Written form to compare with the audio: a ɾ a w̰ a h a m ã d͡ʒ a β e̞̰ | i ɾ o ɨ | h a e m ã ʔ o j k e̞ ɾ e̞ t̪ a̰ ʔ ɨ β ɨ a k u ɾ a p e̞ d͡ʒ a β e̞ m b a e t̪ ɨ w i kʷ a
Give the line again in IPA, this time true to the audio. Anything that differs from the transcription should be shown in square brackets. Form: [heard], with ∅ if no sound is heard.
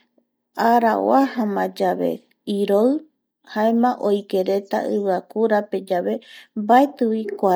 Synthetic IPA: a ɾ a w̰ a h a m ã d͡ʒ a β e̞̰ | i ɾ o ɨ | h a e m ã ʔ o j k e̞ ɾ e̞ t̪ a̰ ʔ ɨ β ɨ a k u ɾ a p e̞ d͡ʒ a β e̞ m b a e t̪ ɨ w i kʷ a

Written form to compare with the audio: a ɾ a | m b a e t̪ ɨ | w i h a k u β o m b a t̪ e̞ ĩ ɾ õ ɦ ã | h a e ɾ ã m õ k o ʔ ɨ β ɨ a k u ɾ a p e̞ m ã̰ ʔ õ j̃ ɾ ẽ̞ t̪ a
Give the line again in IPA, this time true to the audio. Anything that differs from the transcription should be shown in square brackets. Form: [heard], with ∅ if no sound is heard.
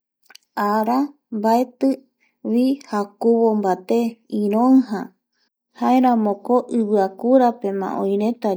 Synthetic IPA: a ɾ a | m b a e t̪ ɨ | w i h a k u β o m b a t̪ e̞ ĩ ɾ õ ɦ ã | h a e ɾ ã m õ k o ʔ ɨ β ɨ a k u ɾ a p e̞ m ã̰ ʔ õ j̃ ɾ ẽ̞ t̪ a

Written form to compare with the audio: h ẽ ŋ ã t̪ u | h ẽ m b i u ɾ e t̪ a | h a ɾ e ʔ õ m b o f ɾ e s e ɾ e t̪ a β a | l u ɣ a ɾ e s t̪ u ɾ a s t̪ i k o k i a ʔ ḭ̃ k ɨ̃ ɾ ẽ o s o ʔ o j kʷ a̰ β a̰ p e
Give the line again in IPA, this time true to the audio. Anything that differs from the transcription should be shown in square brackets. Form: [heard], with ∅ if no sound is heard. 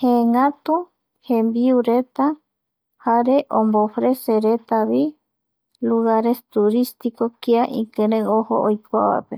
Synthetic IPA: h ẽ ŋ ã t̪ u | h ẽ m b i u ɾ e t̪ a | h a ɾ e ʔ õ m b o f ɾ e s e ɾ e t̪ a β [i] | l u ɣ a ɾ e s t̪ u ɾ [i] s t̪ i k o k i a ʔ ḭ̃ k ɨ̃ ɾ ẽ o [h] o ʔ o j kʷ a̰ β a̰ p e

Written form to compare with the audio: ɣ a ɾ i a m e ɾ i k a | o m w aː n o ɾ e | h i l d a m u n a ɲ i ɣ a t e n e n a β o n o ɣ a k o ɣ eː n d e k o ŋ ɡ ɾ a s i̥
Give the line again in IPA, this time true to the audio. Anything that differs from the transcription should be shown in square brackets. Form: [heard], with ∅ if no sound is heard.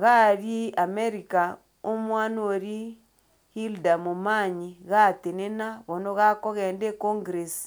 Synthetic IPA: ɣ a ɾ i a m e ɾ i k a | o m w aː n o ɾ [i] | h i l d a m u [m] a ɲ i ɣ a t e n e n a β o n o ɣ a k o ɣ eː n d e k o ŋ ɡ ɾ [e] s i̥

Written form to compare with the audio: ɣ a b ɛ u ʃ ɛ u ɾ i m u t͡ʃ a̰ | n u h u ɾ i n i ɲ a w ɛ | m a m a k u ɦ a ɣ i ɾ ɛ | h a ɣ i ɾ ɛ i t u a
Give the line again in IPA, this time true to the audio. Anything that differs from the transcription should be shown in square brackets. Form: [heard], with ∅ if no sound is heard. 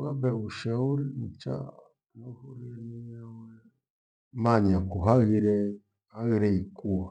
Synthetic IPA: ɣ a b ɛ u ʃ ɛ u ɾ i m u t͡ʃ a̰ | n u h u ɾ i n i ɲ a w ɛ | m a [ɲ] a k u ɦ a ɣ i ɾ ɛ | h a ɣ i ɾ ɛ i [k] u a

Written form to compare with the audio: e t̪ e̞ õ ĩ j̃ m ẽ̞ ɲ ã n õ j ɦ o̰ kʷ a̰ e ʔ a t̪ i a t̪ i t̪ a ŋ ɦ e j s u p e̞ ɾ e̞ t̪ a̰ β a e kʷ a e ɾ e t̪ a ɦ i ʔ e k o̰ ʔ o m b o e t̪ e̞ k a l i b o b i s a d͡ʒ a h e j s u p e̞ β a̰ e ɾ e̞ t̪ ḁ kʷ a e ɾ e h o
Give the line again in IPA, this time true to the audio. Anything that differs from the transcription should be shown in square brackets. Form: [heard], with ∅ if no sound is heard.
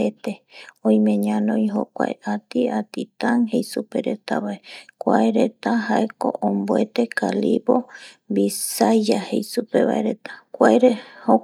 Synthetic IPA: e t̪ e̞ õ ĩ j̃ m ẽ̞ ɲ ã n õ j ɦ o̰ kʷ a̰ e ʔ a t̪ i a t̪ i t̪ a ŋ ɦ e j s u p e̞ ɾ e̞ t̪ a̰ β a e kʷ a e ɾ e t̪ a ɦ [a] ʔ e k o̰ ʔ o m b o e t̪ e̞ k a l i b o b i s a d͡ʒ a h e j s u p e̞ β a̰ e ɾ e̞ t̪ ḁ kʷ a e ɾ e h o

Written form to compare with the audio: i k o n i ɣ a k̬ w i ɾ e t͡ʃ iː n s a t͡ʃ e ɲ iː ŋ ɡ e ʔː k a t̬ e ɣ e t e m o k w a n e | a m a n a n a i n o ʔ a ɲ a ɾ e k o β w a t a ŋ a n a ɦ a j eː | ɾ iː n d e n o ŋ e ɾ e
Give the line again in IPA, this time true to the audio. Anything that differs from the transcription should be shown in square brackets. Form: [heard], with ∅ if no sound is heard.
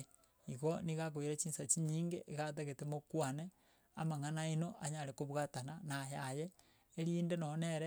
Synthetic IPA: i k o n i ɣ a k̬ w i ɾ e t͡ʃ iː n s a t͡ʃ [i] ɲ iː ŋ ɡ e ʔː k a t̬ e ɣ e t e m o k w a n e | a m a [ŋ] a n a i n o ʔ a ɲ a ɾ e k o β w a t a [n] a n a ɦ a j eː | ɾ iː n d e n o [n] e ɾ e

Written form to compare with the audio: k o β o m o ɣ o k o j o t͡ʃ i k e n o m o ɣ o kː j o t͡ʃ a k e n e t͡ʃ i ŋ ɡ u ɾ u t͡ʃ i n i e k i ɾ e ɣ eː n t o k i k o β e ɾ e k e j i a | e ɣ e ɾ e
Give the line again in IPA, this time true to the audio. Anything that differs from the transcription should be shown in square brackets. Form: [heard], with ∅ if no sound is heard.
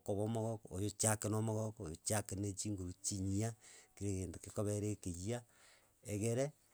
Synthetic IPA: k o β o m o ɣ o k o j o t͡ʃ [a] k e n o m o ɣ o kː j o t͡ʃ a k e n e t͡ʃ i ŋ ɡ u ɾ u t͡ʃ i [ɲ] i [a] k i ɾ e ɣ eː n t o k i k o β e ɾ e k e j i a | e ɣ e ɾ e

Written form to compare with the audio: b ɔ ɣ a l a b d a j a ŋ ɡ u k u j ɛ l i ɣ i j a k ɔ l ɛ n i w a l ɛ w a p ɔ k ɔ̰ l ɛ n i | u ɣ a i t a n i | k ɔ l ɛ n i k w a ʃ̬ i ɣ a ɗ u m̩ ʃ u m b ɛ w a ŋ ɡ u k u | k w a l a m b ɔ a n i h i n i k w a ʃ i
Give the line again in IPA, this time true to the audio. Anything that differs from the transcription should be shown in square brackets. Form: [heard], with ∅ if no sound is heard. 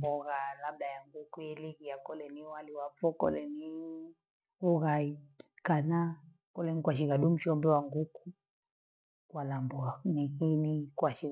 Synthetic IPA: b ɔ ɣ a l a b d a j a ŋ ɡ u k u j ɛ l i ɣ i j a k ɔ l ɛ n i w a l [i] w a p ɔ k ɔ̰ l ɛ n i | u ɣ a i [k] a n [a] | k ɔ l ɛ n i k w a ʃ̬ i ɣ a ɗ u m̩ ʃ [ɔ] m b ɛ w a ŋ ɡ u k u | k w a l a m b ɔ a n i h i n i k w a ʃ i

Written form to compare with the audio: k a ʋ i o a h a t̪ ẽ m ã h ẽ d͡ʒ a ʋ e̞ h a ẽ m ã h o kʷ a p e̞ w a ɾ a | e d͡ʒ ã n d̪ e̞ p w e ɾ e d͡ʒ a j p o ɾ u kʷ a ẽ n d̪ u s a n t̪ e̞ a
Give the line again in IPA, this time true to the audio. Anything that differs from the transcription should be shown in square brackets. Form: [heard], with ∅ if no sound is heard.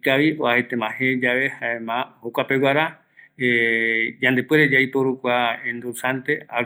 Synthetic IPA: k a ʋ i o a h [e] t̪ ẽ m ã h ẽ d͡ʒ a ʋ e̞ h a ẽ m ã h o kʷ a p e̞ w a ɾ a | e d͡ʒ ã n d̪ e̞ p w e ɾ e d͡ʒ a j p o ɾ u kʷ a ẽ n d̪ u s a n t̪ e̞ a

